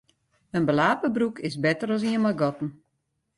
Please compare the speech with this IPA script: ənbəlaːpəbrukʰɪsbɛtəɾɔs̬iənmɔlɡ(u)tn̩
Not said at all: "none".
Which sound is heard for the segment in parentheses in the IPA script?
ɔ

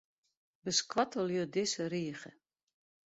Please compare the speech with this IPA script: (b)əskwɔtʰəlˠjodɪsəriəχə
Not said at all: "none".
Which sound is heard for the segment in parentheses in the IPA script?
b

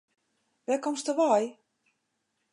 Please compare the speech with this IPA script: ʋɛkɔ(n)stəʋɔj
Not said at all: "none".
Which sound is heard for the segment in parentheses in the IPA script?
m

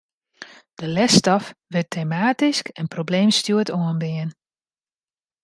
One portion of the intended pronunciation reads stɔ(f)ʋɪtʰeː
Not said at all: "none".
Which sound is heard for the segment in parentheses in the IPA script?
f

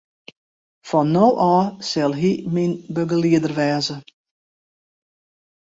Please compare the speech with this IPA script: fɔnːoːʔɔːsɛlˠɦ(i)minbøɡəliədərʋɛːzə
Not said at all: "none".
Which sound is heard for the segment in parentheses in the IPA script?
i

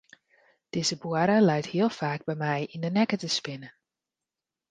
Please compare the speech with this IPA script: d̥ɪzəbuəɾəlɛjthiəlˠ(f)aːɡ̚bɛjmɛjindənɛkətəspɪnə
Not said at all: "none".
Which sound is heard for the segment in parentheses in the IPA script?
f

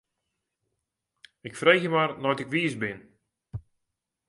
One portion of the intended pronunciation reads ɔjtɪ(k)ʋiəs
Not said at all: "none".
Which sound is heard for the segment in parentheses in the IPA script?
k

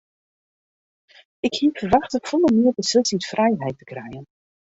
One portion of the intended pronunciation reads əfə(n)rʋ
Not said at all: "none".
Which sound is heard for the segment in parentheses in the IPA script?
none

